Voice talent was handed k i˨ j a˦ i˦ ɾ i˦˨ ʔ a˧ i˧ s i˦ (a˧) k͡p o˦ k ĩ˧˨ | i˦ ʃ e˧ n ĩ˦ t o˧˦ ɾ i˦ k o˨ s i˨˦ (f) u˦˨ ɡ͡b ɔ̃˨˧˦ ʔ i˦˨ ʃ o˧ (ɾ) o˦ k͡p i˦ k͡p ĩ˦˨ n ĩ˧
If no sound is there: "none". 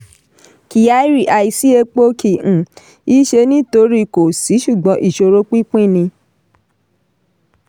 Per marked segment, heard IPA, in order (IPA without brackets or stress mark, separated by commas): e˧, ʃ, ɾ